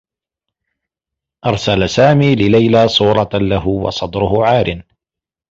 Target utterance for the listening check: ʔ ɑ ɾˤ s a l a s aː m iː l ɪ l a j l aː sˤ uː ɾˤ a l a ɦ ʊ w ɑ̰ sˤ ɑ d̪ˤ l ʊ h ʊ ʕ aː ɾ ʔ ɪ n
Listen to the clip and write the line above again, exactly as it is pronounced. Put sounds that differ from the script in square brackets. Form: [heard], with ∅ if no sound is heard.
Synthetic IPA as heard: ʔ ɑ ɾˤ s a l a s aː m iː l ɪ l a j l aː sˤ uː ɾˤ [ɑ] l a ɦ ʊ w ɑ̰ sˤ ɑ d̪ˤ [ɾ] ʊ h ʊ ʕ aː ɾ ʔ ɪ n